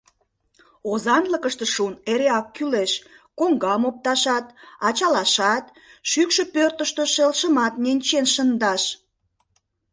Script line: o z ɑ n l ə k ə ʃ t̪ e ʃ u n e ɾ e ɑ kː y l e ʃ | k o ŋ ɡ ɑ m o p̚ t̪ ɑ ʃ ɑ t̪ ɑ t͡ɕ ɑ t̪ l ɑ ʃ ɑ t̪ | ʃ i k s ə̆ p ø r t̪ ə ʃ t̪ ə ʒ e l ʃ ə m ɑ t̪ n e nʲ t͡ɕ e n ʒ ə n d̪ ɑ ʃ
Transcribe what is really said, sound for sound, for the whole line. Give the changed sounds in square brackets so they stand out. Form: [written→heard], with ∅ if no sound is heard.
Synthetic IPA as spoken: o z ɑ n l ə k ə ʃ t̪ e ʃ u n e ɾ e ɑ kː y l e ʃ | k o ŋ ɡ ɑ m o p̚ t̪ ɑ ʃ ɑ t̪ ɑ t͡ɕ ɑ [t̪→∅] l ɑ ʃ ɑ t̪ | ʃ [i→y] k [s→ʃ] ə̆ p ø r t̪ ə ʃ t̪ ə [ʒ→ʃ] e l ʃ ə m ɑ t̪ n e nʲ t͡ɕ e n [ʒ→ʃ] ə n d̪ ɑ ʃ